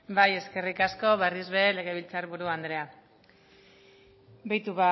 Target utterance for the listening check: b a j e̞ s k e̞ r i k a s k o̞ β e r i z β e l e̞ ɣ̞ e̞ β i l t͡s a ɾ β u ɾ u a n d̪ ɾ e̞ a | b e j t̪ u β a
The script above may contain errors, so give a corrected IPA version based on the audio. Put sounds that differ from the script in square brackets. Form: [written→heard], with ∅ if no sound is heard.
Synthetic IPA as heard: b a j e̞ s k e̞ r i k a s k o̞ β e r i z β e l e̞ ɣ̞ e̞ β i l t͡s a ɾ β u ɾ u a n d̪ ɾ e̞ a | b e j t̪ u β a